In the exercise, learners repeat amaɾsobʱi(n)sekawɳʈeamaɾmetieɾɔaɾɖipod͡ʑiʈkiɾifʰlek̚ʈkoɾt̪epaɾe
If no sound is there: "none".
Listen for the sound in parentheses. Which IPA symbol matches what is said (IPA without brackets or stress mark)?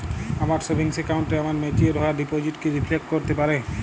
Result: ŋ